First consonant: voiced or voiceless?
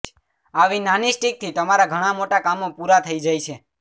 voiced